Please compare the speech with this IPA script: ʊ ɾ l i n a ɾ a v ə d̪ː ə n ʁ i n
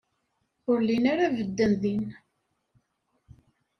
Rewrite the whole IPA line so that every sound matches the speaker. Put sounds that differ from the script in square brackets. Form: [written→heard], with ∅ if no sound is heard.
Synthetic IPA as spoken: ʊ ɾ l i n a ɾ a v ə d̪ː ə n [ʁ→ð] i n